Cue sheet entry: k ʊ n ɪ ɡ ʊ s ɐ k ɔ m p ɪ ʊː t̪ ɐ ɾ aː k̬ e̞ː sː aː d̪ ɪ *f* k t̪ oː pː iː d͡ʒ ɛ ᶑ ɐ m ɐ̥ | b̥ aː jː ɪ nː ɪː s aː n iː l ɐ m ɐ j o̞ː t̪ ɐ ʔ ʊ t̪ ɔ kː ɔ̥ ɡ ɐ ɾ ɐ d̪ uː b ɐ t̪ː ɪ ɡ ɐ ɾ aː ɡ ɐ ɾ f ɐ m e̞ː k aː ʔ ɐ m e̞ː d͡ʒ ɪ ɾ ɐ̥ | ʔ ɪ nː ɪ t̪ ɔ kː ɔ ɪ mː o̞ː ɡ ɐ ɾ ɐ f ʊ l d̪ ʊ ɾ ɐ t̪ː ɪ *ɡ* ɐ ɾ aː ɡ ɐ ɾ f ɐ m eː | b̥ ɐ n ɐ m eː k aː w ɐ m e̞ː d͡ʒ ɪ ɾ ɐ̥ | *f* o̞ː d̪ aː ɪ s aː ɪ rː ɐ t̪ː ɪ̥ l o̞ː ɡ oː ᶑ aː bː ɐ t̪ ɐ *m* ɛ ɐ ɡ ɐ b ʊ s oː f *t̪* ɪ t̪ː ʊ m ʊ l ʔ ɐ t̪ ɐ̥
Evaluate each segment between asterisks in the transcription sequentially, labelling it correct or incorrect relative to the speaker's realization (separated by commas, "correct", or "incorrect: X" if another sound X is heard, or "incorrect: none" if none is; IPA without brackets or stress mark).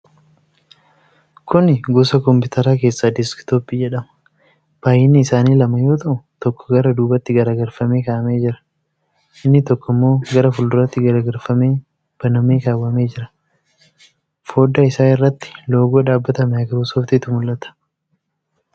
incorrect: s, correct, correct, correct, correct